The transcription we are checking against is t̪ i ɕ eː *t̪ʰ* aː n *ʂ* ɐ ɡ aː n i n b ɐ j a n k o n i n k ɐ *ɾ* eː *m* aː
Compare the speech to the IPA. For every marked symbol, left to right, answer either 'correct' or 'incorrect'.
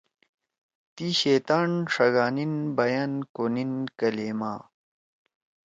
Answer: incorrect, correct, incorrect, correct

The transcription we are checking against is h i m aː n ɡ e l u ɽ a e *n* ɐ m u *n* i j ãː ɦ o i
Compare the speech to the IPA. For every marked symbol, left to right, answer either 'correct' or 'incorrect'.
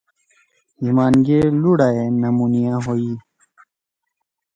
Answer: correct, correct

